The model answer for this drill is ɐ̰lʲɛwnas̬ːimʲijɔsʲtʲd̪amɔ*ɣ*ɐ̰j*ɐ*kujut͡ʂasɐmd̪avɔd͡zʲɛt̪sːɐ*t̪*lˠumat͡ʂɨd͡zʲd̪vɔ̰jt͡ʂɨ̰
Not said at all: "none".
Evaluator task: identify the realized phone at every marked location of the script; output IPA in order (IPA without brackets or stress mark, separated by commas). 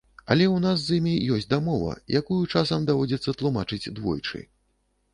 v, a, t̪